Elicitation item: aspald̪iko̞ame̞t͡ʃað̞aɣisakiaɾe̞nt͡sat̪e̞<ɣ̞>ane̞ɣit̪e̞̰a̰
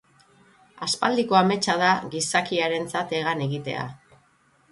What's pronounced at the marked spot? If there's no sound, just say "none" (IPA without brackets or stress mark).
ɣ̞